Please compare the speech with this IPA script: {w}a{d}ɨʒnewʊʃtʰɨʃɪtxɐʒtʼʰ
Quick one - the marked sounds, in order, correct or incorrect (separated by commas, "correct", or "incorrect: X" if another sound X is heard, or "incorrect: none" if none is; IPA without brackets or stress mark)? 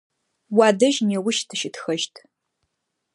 correct, correct